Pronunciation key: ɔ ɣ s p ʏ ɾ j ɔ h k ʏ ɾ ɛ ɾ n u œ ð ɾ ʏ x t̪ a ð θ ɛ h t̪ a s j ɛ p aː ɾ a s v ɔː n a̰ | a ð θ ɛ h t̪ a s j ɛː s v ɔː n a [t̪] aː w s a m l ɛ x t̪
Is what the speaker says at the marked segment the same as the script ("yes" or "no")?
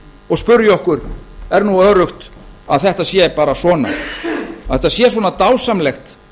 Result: yes